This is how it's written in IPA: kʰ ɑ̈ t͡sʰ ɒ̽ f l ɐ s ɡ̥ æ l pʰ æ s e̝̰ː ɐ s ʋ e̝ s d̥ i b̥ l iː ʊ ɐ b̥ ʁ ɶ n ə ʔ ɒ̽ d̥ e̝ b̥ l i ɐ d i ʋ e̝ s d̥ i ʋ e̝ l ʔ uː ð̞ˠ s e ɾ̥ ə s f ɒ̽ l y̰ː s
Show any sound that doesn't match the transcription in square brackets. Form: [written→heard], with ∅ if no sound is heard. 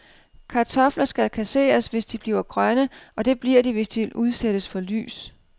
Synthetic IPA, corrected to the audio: kʰ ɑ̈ t͡sʰ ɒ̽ f l ɐ s ɡ̥ æ l [pʰ→kʰ] æ s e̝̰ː ɐ s ʋ e̝ s d̥ i b̥ l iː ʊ ɐ [b̥→ɡ̥] ʁ ɶ n ə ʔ ɒ̽ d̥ e̝ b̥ l i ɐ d i ʋ e̝ s d̥ i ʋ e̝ l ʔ [uː→u] ð̞ˠ s e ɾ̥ ə s f ɒ̽ l y̰ː s

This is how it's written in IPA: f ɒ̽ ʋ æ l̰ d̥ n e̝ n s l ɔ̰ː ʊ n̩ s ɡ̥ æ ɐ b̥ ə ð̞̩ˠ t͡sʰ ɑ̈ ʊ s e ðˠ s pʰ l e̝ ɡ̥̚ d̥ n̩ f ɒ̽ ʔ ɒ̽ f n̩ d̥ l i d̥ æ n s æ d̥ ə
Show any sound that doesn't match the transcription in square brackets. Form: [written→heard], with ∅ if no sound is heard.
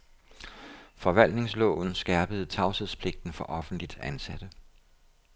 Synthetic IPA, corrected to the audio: f ɒ̽ ʋ æ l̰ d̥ n e̝ [n→ŋ] s l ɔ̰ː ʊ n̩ s ɡ̥ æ ɐ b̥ ə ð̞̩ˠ t͡sʰ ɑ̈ ʊ s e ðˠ s pʰ l e̝ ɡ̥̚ d̥ n̩ f ɒ̽ ʔ ɒ̽ f n̩ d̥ l i d̥ æ n s æ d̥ ə

